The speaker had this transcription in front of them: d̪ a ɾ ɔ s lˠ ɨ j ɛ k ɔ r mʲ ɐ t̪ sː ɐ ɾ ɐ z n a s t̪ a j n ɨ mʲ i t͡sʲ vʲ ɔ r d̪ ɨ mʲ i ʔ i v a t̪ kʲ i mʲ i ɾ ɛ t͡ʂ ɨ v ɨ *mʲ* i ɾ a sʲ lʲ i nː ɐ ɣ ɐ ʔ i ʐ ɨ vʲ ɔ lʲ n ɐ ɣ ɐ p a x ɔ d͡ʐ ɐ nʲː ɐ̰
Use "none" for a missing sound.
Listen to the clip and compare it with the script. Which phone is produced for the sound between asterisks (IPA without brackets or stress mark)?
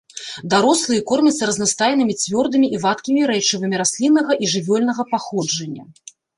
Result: mʲ